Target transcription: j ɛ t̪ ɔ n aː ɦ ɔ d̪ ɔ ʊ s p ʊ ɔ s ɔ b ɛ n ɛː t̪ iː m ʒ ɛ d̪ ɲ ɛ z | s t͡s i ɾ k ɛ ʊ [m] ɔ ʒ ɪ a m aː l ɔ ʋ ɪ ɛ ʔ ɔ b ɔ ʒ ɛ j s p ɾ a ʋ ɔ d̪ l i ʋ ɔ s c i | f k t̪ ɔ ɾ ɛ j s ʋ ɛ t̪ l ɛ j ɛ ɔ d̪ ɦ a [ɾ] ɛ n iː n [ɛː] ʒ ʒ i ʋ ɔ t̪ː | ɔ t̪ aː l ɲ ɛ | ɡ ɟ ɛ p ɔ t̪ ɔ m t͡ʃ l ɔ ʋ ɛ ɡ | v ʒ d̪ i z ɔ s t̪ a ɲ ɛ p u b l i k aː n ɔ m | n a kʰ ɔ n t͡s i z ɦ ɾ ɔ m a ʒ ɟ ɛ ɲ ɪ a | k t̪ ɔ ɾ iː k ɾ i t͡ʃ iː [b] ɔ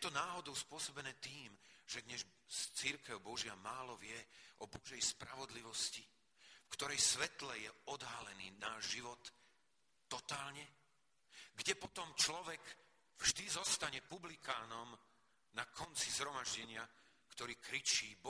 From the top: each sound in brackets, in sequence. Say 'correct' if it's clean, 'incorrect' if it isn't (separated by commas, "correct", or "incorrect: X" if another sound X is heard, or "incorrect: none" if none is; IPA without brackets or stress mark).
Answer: incorrect: b, incorrect: l, incorrect: aː, correct